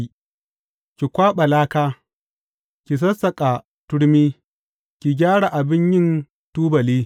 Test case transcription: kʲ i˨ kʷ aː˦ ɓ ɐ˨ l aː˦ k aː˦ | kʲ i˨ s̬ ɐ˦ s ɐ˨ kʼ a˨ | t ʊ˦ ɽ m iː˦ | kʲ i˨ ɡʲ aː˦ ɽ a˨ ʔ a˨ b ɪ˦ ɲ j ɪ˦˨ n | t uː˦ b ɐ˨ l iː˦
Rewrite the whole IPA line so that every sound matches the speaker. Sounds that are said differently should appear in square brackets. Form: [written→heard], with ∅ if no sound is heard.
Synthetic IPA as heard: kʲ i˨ kʷ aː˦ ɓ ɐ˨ l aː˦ k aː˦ | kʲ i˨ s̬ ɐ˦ s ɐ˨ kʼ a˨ | t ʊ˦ ɽ m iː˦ | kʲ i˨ ɡʲ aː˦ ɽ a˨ ʔ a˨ b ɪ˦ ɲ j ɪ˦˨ n | t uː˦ b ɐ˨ l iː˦